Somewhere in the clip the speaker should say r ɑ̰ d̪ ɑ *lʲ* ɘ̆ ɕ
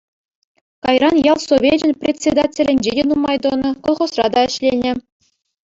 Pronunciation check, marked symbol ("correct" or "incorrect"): incorrect